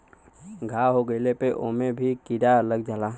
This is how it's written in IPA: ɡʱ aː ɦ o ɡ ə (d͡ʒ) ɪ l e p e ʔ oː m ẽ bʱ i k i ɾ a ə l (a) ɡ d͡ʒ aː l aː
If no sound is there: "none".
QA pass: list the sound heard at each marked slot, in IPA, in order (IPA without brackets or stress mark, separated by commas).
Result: none, ə